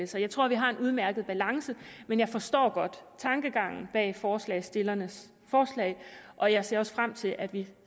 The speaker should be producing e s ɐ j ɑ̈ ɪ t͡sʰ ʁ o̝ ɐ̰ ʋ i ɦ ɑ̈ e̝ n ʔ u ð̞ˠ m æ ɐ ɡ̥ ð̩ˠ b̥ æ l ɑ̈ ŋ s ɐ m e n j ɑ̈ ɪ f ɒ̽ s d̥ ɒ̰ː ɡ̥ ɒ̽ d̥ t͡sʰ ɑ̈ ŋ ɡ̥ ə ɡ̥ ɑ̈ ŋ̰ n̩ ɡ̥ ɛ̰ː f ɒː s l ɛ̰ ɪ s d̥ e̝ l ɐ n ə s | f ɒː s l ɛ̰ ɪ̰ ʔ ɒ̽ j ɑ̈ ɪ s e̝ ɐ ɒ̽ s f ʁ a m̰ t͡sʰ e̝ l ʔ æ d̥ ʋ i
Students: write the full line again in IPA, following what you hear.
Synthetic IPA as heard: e s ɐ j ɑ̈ ɪ t͡sʰ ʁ o̝ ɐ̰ ʋ i ɦ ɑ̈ e̝ n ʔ u ð̞ˠ m æ ɐ ɡ̥ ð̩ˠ b̥ æ l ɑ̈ ŋ s ə m e n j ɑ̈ ɪ f ɒ̽ s d̥ ɒ̰ː ɡ̥ ɒ̽ d̥ t͡sʰ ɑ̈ ŋ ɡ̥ ə ɡ̥ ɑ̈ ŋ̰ n̩ b̥ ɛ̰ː f ɒː s l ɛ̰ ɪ s d̥ e̝ l ɐ n ə s | f ɒː s l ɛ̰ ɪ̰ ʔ ɒ̽ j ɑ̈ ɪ s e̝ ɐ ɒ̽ s f ʁ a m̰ t͡sʰ e̝ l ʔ æ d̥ ʋ i